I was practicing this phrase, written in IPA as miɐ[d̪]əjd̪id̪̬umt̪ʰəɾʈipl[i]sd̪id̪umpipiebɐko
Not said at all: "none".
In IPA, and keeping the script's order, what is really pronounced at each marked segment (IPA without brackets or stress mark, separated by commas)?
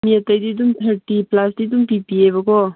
t̪, a